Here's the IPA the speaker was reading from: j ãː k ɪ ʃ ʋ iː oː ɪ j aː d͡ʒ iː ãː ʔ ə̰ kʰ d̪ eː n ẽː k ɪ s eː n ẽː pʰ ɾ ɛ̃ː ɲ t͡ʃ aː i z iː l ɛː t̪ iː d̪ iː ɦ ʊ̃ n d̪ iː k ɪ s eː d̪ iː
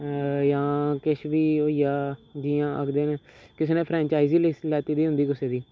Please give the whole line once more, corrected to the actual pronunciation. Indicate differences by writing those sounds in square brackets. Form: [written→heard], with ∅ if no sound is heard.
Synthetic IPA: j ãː k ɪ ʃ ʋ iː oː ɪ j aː d͡ʒ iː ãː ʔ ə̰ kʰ d̪ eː n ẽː k ɪ s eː n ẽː pʰ ɾ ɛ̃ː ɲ t͡ʃ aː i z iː l ɛː t̪ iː d̪ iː ɦ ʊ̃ n d̪ iː k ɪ s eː d̪ iː